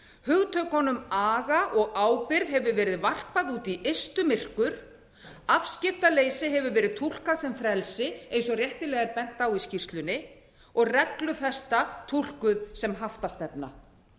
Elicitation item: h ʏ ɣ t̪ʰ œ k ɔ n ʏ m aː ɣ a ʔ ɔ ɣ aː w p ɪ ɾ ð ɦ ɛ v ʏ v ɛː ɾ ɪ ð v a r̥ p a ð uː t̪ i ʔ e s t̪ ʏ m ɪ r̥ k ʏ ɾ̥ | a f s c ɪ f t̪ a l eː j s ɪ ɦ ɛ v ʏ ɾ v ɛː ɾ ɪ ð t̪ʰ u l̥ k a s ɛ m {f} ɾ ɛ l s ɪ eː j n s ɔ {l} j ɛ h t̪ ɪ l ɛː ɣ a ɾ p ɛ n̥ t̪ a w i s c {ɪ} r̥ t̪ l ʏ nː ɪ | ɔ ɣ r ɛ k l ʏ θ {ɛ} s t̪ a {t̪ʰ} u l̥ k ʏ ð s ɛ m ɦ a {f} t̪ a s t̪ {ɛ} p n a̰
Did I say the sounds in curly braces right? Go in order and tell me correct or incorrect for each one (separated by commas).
correct, incorrect, incorrect, correct, correct, correct, correct